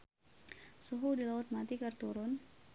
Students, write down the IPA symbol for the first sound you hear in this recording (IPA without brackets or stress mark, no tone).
s